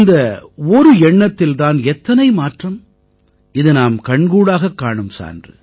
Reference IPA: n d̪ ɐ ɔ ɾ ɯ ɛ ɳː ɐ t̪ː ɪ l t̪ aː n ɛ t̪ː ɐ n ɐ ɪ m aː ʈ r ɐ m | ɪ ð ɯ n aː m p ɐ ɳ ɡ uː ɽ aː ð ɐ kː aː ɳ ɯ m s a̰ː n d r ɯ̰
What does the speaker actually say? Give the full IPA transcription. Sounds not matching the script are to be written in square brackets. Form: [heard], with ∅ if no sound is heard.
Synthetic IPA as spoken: n d̪ ɐ ɔ ɾ ɯ ɛ ɳː ɐ t̪ː ɪ l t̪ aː n ɛ t̪ː ɐ n ɐ ɪ m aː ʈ r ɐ m | ɪ ð ɯ n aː m [k] ɐ ɳ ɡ uː ɽ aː [ɣ] ɐ kː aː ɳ ɯ m s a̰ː n d r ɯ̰

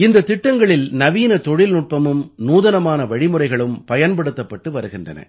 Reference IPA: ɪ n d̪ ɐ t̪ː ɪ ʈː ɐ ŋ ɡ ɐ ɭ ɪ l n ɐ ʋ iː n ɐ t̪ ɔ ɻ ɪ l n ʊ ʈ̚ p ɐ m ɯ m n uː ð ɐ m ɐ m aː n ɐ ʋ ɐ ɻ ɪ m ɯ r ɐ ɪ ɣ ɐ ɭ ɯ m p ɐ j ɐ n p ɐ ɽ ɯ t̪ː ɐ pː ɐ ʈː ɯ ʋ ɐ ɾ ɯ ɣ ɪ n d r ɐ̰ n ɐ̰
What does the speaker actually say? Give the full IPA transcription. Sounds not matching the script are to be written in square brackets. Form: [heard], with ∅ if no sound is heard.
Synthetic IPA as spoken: ɪ n d̪ ɐ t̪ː ɪ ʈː ɐ ŋ ɡ ɐ ɭ ɪ l n ɐ ʋ iː n ɐ t̪ ɔ ɻ ɪ l n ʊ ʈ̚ p ɐ m ɯ m n uː ð ɐ [n] ɐ m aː n ɐ ʋ ɐ ɻ ɪ m ɯ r ɐ ɪ ɣ ɐ ɭ ɯ m p ɐ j ɐ n p ɐ ɽ ɯ t̪ː ɐ pː ɐ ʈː ɯ ʋ ɐ ɾ ɯ ɣ ɪ n d r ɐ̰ n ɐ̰

